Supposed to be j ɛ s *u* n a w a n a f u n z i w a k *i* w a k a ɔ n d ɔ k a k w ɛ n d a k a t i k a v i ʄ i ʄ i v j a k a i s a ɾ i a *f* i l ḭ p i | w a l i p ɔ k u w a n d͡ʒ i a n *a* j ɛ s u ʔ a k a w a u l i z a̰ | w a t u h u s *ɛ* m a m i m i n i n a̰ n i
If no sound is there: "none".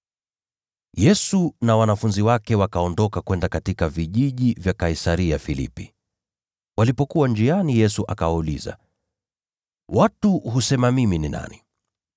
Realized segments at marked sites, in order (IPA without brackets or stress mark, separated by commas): u, ɛ, f, i, ɛ